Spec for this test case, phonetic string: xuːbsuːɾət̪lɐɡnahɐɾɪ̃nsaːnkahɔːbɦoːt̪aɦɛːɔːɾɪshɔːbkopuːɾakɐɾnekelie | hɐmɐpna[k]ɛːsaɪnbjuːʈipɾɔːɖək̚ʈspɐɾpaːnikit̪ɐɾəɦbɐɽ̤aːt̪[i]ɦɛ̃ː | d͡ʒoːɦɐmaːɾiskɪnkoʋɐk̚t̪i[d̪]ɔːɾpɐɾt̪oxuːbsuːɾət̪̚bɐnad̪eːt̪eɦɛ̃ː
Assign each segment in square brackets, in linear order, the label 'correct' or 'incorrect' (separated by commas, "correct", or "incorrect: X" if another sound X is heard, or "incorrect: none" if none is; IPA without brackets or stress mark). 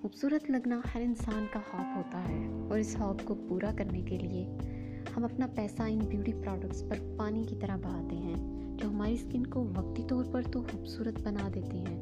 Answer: incorrect: p, incorrect: e, incorrect: t̪